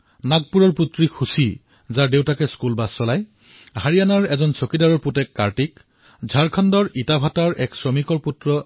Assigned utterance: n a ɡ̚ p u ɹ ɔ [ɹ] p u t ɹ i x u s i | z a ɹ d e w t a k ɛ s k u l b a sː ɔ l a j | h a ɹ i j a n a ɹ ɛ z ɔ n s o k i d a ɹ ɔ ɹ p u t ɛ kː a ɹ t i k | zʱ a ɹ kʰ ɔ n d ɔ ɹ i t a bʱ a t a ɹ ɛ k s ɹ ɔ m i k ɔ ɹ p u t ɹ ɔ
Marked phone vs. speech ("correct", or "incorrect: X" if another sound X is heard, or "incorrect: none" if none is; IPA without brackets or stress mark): correct